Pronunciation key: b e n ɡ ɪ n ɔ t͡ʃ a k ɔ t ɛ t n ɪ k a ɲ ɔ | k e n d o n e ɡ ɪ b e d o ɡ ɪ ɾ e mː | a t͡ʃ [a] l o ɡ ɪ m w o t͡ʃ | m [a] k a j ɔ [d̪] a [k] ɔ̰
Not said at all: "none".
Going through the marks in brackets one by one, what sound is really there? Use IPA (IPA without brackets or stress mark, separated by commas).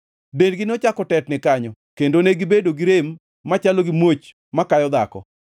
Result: a, a, d̪, k